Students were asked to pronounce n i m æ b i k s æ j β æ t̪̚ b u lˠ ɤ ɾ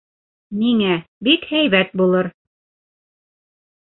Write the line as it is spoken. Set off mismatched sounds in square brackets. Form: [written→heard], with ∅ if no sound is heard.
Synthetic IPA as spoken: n i [m→ŋ] æ b i k [s→h] æ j β æ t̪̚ b u lˠ ɤ ɾ